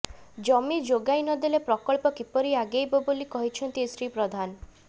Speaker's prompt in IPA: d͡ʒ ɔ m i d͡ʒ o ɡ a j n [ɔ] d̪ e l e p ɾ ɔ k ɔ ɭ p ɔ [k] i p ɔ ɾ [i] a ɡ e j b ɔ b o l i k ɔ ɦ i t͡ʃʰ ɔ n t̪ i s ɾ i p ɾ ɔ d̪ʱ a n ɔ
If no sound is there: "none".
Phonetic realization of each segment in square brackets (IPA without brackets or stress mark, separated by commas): ɔ, k, i